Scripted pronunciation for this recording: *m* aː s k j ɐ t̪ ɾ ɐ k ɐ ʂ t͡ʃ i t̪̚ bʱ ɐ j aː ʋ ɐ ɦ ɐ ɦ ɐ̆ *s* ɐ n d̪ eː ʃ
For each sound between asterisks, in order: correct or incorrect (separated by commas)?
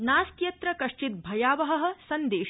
incorrect, correct